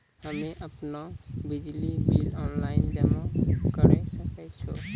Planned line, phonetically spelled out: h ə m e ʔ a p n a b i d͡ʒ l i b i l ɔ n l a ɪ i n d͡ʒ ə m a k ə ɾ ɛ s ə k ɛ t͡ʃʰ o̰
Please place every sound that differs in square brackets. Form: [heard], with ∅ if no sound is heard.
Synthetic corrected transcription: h ə m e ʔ [ə] p n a b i d͡ʒ l i b i l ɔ n l a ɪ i n d͡ʒ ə m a k ə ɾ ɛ s ə k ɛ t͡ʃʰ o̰